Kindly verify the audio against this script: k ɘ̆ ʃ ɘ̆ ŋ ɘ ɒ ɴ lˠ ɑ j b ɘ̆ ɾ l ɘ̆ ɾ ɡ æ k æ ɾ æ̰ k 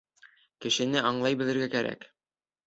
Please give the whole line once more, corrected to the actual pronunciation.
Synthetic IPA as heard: k ɘ̆ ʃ ɘ̆ n ɘ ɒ ɴ lˠ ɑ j b ɘ̆ l ɘ̆ ɾ ɡ æ k æ ɾ æ̰ k